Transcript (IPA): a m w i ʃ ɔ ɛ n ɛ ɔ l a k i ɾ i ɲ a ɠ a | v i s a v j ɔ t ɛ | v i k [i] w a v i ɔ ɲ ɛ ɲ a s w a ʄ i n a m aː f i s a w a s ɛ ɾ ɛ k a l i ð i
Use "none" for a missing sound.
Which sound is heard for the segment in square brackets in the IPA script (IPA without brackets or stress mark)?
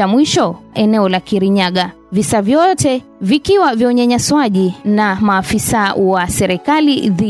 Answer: i